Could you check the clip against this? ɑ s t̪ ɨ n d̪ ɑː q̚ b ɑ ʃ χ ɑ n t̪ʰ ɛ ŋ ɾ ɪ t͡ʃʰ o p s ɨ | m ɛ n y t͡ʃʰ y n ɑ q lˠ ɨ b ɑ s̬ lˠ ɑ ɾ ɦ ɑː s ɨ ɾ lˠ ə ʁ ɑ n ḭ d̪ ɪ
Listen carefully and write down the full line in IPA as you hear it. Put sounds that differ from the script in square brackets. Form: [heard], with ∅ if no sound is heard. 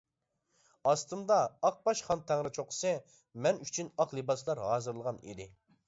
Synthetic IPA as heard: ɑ s t̪ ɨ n d̪ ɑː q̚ b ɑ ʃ χ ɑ n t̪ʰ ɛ ŋ ɾ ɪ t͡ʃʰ o [q] s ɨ | m ɛ n y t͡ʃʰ y n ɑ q lˠ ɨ b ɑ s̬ lˠ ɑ ɾ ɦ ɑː [z] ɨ ɾ lˠ ə ʁ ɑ n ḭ d̪ ɪ